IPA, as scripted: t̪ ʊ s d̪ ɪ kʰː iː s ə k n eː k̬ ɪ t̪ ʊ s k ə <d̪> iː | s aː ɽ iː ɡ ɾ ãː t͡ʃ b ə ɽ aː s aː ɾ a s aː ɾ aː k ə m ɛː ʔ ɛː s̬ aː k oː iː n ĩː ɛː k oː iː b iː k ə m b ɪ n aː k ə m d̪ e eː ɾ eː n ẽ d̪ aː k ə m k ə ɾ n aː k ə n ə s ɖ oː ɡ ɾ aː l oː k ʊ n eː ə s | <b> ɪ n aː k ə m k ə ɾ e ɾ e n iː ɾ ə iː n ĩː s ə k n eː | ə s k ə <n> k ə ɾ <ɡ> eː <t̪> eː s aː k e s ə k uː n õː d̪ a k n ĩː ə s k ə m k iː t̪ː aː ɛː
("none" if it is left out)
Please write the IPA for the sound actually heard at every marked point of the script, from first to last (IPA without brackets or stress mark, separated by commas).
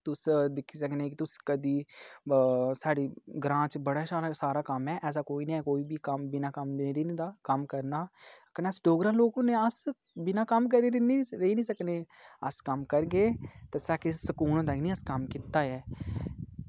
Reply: d̪, b, m, ɡ, t̪